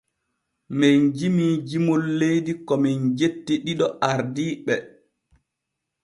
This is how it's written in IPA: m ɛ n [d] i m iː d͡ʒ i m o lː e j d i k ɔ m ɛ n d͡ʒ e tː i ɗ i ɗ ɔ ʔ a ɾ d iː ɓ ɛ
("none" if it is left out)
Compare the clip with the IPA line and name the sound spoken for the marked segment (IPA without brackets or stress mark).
d͡ʒ